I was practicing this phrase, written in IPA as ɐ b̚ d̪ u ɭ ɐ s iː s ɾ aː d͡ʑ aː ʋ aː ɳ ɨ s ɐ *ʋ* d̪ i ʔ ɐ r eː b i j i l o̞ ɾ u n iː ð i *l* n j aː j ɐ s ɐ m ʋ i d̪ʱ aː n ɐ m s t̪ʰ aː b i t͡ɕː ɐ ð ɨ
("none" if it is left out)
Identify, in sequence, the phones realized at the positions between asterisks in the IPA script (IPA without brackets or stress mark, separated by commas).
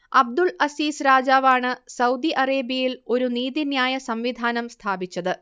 w, none